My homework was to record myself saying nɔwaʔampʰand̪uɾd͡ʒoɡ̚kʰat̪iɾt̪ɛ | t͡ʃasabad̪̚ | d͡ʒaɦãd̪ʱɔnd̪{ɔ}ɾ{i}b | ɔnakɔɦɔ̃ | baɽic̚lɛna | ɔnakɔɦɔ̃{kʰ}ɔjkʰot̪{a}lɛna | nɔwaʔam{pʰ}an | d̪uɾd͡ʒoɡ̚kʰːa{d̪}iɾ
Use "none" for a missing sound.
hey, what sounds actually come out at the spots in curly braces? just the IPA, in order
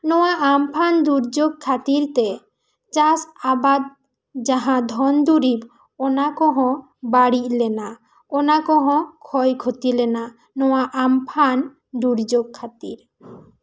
u, i, kʰ, i, pʰ, t̪

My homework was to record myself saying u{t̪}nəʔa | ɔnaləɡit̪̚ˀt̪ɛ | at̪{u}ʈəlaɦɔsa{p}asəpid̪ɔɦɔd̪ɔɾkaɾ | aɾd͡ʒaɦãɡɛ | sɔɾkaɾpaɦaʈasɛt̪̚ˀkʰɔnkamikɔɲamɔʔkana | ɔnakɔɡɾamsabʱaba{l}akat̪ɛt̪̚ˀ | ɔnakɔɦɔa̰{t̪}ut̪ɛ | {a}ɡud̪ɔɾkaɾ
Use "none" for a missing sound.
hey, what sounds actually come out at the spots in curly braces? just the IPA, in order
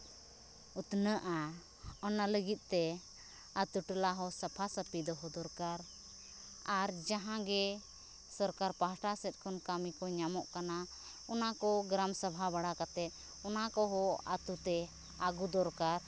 t̪, u, pʰ, ɽ, t̪, a

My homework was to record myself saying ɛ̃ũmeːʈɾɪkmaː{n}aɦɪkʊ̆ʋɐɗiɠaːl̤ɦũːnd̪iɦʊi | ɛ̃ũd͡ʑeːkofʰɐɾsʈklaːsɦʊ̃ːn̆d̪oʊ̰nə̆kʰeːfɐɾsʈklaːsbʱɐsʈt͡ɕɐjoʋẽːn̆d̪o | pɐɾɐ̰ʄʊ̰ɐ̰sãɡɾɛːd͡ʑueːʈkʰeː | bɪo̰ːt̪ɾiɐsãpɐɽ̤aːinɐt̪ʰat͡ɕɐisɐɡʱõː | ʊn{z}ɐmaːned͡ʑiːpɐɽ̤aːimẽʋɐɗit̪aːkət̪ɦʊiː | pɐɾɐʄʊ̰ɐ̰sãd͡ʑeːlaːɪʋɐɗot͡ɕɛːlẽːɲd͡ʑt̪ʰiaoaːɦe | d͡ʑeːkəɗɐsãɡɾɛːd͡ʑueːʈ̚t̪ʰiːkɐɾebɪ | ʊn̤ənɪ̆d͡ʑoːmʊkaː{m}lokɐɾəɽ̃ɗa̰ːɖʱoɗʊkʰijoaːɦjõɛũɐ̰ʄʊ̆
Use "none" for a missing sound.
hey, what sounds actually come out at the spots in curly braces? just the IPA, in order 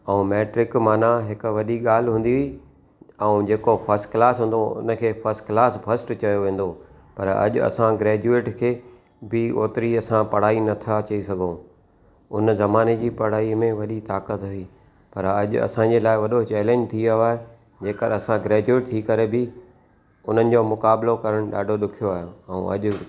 n, z, b

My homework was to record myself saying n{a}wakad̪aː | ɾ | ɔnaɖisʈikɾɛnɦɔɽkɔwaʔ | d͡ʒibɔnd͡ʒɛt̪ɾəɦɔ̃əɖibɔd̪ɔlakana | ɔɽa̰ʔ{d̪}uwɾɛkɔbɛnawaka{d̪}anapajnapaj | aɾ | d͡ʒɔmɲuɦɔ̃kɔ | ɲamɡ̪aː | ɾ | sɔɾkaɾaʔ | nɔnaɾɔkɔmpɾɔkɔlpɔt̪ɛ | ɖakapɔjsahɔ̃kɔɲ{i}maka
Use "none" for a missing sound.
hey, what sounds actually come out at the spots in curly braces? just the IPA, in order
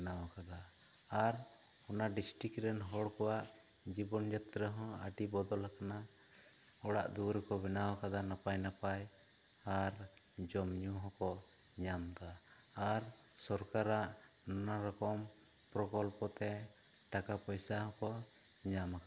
a, d̪, d̪, a

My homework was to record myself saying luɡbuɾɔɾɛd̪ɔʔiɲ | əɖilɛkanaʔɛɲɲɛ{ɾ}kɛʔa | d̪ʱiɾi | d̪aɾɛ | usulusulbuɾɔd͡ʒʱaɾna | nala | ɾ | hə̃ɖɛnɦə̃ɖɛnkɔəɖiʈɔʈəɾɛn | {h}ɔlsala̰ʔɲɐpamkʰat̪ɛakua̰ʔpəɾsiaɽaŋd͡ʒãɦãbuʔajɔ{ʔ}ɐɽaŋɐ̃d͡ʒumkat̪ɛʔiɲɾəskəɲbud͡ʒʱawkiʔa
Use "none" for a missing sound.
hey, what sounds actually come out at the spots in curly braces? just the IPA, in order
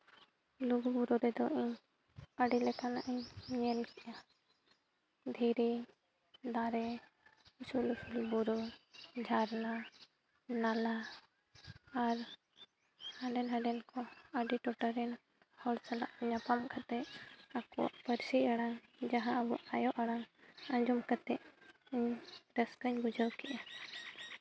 l, h, ʔ

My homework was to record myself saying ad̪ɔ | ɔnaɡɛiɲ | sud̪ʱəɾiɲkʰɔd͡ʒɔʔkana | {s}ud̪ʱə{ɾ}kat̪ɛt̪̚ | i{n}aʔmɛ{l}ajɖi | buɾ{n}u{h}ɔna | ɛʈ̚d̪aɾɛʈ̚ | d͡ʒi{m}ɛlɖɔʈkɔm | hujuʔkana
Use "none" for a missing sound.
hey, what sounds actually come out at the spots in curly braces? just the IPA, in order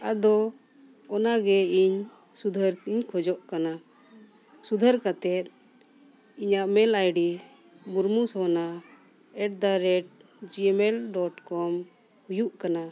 s, ɾ, ɲ, l, m, s, m

